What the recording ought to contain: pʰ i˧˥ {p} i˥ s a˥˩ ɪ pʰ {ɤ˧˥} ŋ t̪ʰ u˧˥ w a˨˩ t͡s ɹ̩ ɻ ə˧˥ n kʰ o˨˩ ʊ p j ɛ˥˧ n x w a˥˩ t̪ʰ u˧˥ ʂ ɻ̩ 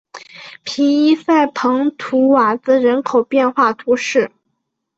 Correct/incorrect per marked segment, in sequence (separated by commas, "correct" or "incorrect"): incorrect, correct